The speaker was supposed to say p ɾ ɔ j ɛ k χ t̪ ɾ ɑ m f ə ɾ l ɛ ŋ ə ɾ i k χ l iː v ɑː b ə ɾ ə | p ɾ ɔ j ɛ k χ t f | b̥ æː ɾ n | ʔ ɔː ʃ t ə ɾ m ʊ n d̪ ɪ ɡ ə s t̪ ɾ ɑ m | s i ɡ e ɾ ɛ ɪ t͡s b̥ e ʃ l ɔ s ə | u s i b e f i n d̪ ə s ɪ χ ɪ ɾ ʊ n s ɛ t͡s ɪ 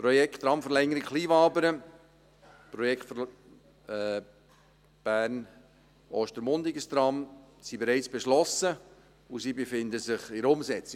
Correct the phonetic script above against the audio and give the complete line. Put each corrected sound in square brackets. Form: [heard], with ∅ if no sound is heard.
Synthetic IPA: p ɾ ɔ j ɛ k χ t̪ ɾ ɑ m f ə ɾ l ɛ ŋ ə ɾ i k χ l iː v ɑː b ə ɾ ə | p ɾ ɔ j ɛ k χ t f | b̥ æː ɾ n | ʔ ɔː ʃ t ə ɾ m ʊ n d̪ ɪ ɡ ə s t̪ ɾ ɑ m | s i [b] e ɾ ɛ ɪ t͡s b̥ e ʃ l ɔ s ə | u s i b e f [ɪ] n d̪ ə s ɪ χ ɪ ɾ ʊ [m] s ɛ t͡s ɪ